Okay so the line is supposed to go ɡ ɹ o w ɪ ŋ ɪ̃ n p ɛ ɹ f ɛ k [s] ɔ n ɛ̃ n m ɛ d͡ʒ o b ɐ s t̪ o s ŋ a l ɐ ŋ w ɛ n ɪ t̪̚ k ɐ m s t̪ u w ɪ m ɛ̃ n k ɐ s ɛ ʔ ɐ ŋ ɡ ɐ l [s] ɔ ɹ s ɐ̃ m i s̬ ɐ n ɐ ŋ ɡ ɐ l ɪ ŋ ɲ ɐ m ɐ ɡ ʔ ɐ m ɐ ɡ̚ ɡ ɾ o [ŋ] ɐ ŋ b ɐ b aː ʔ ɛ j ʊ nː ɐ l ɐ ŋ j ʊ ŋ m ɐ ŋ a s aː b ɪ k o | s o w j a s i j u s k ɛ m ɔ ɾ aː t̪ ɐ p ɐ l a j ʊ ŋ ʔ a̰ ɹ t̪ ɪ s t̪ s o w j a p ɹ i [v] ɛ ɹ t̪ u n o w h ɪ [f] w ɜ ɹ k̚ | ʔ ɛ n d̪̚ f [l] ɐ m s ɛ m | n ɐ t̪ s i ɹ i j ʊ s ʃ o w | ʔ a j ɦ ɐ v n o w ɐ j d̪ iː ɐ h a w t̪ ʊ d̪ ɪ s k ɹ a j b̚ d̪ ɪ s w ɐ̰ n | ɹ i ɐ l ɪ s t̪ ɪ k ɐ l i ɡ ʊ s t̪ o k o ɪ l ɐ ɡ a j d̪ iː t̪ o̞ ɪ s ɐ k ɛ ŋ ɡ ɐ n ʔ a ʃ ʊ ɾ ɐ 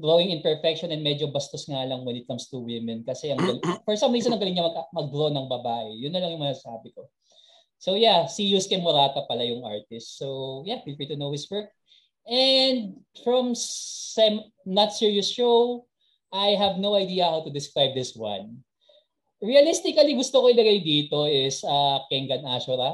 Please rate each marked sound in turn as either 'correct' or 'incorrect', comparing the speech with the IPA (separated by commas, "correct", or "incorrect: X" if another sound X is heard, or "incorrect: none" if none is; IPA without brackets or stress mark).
incorrect: ʃ, incorrect: f, incorrect: n, incorrect: f, incorrect: s, incorrect: ɹ